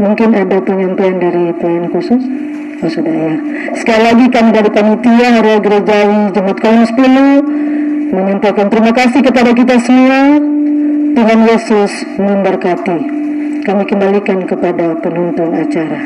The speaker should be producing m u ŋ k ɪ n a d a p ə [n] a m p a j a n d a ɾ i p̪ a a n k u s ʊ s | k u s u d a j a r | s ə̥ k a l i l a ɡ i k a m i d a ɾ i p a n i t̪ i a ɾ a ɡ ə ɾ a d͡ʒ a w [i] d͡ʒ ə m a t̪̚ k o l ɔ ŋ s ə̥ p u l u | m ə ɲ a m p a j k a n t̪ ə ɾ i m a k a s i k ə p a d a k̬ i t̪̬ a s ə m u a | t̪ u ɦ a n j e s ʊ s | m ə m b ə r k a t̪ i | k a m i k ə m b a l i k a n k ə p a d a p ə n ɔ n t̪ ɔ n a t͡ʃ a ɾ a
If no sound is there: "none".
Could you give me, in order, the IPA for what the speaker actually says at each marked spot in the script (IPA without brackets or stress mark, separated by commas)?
ɲ, i